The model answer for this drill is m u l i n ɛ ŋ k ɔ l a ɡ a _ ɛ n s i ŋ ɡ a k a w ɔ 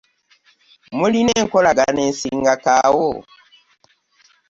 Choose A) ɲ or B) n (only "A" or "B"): B